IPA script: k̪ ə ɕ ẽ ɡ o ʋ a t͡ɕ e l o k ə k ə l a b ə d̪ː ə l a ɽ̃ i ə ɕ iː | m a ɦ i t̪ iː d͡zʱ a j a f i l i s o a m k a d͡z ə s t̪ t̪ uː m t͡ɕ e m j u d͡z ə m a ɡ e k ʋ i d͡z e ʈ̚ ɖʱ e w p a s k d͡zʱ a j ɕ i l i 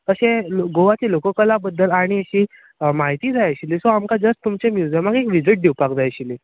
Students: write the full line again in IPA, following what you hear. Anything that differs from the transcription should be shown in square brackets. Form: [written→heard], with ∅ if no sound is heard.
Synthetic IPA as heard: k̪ ə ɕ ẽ ɡ o ʋ a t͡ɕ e l o k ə k ə l a b ə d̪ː ə l a ɽ̃ i ə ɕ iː | m a ɦ i t̪ iː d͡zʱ a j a [f→ɕ] i l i s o a m k a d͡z ə s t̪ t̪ [uː→u] m t͡ɕ e m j u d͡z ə m a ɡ e k ʋ i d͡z [e→i] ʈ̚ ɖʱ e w p a [s→∅] k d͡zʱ a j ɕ i l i

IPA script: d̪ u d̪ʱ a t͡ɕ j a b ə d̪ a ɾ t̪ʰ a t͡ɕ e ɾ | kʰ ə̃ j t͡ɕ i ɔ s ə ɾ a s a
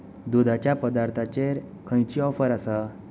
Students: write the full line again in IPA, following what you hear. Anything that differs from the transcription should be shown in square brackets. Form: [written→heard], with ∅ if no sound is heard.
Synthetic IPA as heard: d̪ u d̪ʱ a t͡ɕ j a [b→p] ə d̪ a ɾ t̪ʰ a t͡ɕ e ɾ | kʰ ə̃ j t͡ɕ i ɔ [s→f] ə ɾ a s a

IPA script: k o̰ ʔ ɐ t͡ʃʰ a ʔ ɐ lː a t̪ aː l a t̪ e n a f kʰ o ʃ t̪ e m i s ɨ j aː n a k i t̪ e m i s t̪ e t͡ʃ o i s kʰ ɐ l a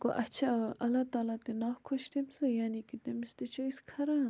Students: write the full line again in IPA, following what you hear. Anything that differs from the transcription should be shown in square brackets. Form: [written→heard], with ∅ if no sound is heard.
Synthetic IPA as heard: k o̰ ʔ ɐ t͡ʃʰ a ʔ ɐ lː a t̪ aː l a t̪ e n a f kʰ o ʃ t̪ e m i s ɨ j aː n [a→i] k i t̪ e m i s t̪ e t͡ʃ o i s kʰ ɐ [l→ɾ] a

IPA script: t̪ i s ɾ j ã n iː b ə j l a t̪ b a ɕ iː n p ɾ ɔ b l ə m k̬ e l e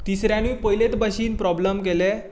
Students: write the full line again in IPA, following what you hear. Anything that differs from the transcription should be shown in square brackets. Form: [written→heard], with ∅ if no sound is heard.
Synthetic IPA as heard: t̪ i s ɾ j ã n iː [b→p] ə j l [a→e] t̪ b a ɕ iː n p ɾ ɔ b l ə m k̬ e l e

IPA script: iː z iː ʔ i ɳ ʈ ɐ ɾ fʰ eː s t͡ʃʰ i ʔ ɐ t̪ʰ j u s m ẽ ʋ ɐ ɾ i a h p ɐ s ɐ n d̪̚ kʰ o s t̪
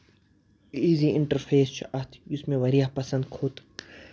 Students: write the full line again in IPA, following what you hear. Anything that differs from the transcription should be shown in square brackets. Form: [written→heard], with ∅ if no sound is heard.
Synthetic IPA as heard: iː z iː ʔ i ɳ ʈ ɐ ɾ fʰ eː s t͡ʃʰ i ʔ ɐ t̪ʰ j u s m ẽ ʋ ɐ ɾ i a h p ɐ s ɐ n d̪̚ kʰ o [s→∅] t̪

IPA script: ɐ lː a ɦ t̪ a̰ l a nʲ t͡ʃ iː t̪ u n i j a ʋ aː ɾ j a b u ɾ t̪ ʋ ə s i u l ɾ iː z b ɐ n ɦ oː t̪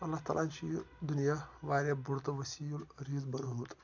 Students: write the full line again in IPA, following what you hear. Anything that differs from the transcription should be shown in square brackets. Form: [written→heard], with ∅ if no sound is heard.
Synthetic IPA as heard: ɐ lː a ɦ t̪ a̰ l a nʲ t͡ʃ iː [t̪→d̪] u n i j a ʋ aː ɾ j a b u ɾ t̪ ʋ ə s i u l ɾ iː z b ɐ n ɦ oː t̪

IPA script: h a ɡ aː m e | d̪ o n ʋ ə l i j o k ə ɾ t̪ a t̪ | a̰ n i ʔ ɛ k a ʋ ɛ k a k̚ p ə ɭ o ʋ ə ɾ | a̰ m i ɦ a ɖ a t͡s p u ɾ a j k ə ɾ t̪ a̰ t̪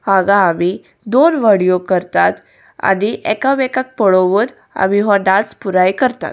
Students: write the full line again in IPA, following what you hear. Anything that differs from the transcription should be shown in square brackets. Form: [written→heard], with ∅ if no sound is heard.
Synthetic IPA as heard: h a ɡ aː m [e→i] | d̪ o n ʋ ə [l→ɽ] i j o k ə ɾ t̪ a t̪ | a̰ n i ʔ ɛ k a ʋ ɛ k a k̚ p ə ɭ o ʋ ə ɾ | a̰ m i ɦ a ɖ a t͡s p u ɾ a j k ə ɾ t̪ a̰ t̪

